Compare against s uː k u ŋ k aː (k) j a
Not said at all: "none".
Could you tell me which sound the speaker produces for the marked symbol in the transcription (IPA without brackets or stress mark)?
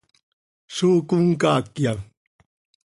k